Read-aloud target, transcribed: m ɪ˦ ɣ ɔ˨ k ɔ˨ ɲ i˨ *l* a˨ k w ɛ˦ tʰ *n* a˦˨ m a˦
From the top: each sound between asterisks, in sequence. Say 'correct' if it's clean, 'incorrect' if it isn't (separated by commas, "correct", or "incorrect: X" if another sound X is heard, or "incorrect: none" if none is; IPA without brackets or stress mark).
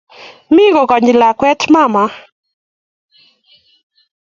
correct, incorrect: m